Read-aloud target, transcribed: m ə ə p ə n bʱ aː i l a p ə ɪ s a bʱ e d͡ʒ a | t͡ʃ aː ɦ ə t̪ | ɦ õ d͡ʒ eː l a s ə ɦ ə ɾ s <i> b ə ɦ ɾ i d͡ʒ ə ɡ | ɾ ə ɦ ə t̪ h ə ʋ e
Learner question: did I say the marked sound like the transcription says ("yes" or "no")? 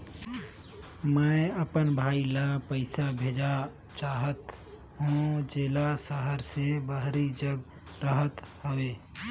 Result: no